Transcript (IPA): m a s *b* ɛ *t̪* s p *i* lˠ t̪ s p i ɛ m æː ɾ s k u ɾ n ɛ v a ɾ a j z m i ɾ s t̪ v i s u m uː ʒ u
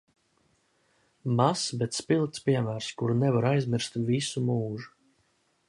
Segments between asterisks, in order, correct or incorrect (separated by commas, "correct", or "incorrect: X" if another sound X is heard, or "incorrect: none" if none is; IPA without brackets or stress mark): correct, correct, correct